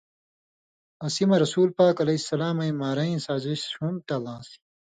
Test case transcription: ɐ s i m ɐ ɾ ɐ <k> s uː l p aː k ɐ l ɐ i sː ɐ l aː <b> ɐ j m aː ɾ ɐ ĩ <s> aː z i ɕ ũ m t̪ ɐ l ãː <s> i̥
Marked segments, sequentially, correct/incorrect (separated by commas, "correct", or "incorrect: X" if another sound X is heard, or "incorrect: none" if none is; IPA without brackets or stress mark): incorrect: none, incorrect: m, correct, correct